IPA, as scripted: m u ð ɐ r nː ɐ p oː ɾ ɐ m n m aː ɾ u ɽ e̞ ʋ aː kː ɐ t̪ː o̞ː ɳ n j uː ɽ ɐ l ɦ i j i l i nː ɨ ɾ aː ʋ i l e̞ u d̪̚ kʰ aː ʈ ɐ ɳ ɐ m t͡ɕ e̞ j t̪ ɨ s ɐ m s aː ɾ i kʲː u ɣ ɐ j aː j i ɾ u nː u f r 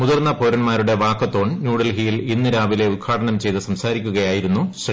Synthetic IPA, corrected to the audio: m u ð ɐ r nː ɐ p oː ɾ ɐ n m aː ɾ u ɽ e̞ ʋ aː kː ɐ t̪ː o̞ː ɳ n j uː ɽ ɐ l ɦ i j i l i nː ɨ ɾ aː ʋ i l e̞ u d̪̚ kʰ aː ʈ ɐ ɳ ɐ m t͡ɕ e̞ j t̪ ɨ s ɐ m s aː ɾ i kʲː u ɣ ɐ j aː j i ɾ u nː u ɕ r